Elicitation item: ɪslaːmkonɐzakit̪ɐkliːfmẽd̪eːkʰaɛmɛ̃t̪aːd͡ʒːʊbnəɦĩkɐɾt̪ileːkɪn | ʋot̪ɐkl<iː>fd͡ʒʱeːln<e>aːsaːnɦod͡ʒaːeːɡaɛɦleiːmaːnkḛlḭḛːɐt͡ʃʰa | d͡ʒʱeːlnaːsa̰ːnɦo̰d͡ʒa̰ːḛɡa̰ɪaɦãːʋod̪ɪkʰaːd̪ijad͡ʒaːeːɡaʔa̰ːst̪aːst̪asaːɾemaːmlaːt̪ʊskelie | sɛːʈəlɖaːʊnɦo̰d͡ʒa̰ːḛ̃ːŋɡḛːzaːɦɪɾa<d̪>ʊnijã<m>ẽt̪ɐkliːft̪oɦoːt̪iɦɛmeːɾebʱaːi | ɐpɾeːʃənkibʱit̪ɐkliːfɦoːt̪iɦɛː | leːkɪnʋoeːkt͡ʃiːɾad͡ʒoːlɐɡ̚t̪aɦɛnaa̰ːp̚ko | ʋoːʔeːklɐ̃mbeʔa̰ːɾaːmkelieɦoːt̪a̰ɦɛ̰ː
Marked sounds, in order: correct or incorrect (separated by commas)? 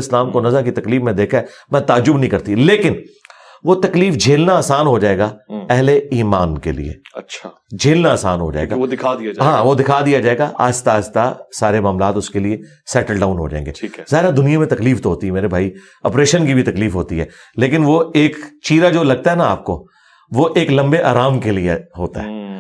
correct, incorrect, correct, correct